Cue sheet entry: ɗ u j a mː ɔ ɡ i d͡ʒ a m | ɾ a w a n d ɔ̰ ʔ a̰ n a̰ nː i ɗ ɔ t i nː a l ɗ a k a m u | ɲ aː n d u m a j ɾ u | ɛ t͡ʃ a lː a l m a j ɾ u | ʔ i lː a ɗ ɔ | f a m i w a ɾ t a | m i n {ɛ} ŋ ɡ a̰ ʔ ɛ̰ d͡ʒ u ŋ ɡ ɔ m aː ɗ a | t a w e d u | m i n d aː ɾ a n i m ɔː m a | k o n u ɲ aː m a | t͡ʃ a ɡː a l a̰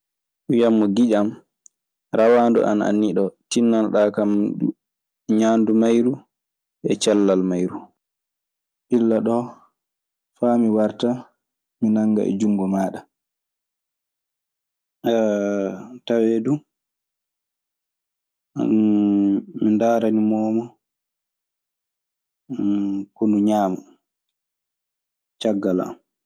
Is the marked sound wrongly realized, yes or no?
yes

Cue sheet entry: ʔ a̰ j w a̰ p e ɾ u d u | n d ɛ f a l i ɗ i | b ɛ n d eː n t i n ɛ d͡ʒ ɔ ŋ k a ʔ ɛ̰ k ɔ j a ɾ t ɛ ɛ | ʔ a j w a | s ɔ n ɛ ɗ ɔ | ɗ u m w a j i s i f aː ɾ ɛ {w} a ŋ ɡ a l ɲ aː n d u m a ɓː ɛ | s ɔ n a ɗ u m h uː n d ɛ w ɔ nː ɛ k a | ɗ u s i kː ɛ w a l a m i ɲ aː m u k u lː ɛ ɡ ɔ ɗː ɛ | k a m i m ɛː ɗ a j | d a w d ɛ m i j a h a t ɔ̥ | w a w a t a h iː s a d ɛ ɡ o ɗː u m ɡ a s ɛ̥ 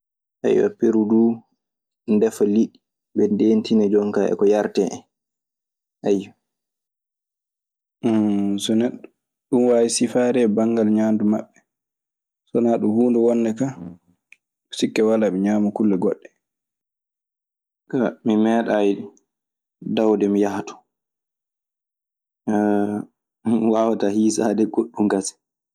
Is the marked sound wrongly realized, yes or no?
yes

